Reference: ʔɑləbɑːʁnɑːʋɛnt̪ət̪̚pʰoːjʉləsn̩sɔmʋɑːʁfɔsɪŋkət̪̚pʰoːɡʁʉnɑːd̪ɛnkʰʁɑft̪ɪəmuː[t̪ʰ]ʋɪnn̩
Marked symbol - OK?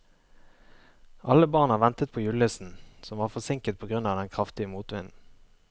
no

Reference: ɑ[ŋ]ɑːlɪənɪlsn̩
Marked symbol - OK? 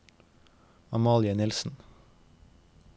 no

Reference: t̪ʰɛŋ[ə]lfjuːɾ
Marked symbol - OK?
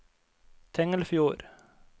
yes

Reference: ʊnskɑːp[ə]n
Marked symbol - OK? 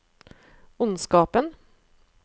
yes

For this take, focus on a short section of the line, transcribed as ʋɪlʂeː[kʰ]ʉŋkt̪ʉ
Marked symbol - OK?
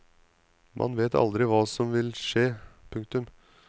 no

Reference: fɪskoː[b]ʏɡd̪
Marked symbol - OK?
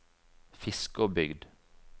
yes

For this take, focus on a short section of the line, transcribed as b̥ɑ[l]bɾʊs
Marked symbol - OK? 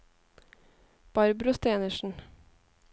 no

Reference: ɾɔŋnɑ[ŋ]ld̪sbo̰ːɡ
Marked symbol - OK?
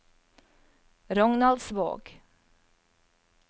no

